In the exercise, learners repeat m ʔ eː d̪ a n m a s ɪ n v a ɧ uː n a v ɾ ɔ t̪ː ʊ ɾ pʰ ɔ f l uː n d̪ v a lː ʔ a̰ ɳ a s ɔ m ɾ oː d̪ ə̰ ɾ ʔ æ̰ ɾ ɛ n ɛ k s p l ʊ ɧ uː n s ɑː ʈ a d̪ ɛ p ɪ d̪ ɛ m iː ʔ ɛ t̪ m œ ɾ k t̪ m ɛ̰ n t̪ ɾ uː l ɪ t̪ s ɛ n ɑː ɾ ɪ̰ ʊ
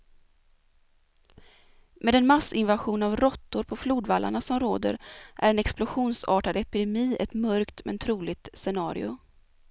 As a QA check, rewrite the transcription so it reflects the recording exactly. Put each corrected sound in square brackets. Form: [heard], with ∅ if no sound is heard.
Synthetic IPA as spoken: m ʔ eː d̪ [ɛ] n m a s ɪ n v a ɧ uː n a v ɾ ɔ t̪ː ʊ ɾ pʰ ɔ f l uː [∅] d̪ v a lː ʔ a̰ ɳ a s ɔ m ɾ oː d̪ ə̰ ɾ ʔ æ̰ ɾ ɛ n ɛ k s p l ʊ ɧ uː n s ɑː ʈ a d̪ ɛ p ɪ d̪ ɛ m iː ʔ ɛ t̪ m œ ɾ k t̪ m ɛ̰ n [t̪ʰ] ɾ uː l ɪ t̪ s ɛ n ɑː ɾ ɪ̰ ʊ